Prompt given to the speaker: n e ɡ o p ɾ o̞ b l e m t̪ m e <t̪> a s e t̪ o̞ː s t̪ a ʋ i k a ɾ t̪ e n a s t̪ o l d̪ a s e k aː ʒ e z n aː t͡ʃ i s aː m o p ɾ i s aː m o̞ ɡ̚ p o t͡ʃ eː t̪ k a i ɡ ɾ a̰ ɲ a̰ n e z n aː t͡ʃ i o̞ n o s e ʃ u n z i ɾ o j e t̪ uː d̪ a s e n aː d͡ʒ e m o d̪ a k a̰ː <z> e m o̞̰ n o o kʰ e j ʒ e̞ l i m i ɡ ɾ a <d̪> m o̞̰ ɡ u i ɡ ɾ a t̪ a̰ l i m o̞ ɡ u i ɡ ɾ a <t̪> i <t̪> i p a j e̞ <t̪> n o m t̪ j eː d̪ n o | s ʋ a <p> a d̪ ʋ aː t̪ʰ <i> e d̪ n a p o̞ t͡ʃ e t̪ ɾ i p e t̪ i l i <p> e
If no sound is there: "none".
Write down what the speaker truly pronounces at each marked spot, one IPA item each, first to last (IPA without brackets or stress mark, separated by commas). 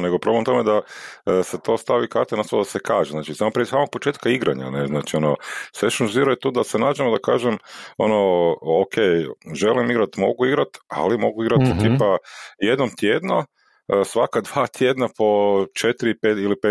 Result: d̪, ʒ, t̪, t̪, t̪, d̪, k, j, p